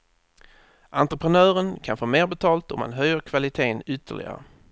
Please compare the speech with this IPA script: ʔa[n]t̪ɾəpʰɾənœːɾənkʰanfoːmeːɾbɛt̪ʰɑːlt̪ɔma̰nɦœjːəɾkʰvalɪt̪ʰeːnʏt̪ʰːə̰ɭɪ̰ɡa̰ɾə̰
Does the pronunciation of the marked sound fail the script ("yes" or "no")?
no